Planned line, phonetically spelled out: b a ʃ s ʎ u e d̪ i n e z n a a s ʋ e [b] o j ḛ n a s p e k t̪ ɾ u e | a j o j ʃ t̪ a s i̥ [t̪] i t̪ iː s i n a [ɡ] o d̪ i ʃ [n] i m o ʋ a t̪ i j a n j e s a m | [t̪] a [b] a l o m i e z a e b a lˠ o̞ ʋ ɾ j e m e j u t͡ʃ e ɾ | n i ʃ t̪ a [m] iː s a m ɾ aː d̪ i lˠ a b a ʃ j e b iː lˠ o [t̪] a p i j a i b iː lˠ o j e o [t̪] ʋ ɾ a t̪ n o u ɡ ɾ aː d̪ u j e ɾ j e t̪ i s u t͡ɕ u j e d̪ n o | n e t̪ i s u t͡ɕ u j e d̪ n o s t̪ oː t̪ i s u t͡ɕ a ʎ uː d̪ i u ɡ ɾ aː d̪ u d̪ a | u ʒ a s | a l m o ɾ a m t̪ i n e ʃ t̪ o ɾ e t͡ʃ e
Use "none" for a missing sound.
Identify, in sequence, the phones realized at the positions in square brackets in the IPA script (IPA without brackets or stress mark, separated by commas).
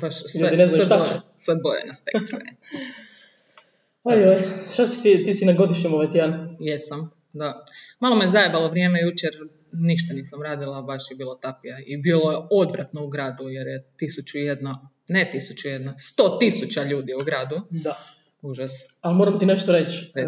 b, t̪, ɡ, ɲ, d̪, m, n, t̪, d̪